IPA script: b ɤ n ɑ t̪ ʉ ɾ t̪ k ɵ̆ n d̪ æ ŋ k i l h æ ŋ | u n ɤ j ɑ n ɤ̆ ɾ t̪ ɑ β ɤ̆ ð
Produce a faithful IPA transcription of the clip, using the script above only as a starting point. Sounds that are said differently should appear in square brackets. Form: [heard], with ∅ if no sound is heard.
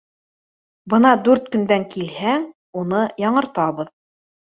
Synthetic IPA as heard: b ɤ n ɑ [d̪] ʉ ɾ t̪ k ɵ̆ n d̪ æ ŋ k i l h æ ŋ | u n ɤ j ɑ [ɴ] ɤ̆ ɾ t̪ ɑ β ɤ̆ ð